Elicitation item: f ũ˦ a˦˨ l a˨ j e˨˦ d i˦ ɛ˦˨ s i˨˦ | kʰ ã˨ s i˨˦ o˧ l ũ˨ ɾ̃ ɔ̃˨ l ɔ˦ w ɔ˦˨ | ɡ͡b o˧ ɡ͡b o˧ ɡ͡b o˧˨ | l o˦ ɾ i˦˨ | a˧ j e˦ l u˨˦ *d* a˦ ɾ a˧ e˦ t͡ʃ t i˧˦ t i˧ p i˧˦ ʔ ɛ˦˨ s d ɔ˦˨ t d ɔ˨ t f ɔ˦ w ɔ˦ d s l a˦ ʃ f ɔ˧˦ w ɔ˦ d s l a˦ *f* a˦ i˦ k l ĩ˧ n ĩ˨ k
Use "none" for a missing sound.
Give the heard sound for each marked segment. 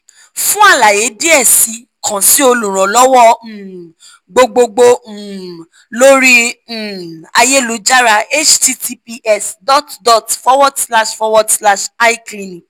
d͡ʒ, ʃ

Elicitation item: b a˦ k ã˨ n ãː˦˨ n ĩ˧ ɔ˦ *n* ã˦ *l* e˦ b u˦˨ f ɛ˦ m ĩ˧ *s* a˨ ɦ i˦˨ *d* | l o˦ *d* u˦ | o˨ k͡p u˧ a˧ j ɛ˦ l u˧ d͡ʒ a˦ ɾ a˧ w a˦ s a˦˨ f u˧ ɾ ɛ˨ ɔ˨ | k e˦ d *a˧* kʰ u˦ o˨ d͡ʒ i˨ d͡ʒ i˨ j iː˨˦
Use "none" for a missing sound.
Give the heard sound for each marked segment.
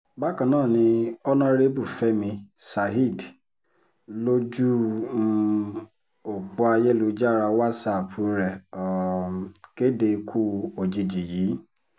n, ɾ, s, d, d͡ʒ, e˧

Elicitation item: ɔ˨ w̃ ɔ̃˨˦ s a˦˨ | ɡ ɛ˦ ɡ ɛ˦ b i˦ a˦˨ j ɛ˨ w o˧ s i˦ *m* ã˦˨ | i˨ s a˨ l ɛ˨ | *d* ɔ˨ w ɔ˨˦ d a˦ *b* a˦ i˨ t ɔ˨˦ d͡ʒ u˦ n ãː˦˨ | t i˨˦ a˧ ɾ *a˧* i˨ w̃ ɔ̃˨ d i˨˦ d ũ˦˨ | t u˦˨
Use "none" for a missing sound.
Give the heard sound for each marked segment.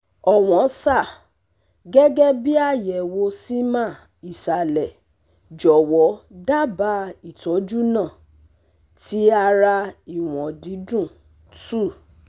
m, d͡ʒ, b, a˧

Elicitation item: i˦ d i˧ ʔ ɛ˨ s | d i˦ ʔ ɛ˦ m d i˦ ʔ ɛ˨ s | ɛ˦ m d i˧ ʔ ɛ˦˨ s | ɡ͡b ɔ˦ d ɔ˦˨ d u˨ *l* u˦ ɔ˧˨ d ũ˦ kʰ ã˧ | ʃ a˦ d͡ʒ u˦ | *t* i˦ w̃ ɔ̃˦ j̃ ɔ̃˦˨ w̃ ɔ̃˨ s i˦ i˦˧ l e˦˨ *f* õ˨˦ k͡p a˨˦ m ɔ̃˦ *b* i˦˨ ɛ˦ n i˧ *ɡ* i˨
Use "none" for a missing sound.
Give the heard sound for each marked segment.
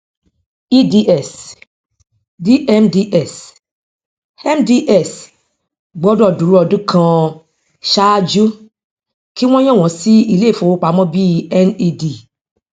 ɾ, k, f, b, d

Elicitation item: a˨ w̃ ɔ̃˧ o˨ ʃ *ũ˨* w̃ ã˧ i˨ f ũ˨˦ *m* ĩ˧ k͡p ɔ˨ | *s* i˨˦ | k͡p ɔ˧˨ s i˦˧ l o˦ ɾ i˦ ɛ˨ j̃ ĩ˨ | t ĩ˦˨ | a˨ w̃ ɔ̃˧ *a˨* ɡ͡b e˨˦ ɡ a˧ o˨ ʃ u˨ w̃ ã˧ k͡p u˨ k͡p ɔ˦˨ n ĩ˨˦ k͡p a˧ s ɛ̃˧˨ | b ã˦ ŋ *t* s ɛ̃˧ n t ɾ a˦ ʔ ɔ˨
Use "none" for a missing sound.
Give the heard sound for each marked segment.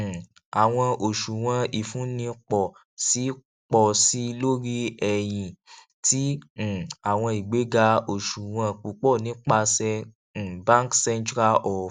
u˨, n, s, i˨, k

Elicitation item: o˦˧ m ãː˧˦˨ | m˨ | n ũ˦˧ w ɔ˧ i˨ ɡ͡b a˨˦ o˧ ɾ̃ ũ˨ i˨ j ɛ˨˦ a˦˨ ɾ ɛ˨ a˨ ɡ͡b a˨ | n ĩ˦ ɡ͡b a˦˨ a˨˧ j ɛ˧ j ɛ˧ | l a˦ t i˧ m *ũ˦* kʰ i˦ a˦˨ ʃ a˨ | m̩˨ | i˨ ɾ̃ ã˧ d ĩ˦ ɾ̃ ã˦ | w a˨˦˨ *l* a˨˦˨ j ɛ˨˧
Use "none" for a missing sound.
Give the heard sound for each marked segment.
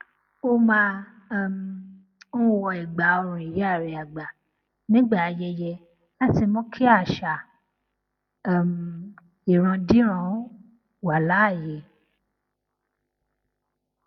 ɔ̃˦, l

